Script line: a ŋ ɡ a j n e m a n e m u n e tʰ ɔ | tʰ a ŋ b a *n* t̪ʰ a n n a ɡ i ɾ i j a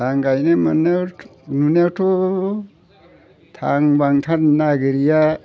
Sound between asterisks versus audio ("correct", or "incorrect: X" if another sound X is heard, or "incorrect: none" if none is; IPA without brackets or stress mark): incorrect: ŋ